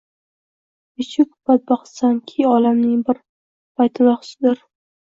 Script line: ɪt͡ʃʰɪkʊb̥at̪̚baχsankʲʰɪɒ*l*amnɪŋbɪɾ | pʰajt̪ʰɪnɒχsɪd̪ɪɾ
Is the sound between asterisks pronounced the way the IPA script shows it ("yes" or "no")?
yes